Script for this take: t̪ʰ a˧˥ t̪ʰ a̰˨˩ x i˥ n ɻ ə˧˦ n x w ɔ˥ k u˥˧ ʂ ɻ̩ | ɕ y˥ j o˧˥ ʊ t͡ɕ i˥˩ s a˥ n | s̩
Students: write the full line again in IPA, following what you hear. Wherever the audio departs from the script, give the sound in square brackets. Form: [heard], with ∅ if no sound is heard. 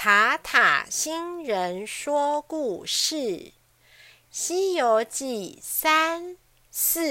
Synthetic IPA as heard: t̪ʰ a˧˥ t̪ʰ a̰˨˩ [ɕ] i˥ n ɻ ə˧˦ n [ʂ] w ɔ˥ k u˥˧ ʂ ɻ̩ | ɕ [i˥] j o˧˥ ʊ t͡ɕ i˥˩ s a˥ n | s̩